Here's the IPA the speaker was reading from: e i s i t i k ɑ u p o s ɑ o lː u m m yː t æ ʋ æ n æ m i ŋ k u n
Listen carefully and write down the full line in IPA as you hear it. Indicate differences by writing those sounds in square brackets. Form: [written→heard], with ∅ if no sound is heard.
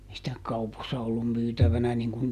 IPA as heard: e i s i t [i→æ] k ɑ u p o [s→sː] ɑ o lː u m m yː t æ ʋ æ n æ [m→n] i ŋ k u n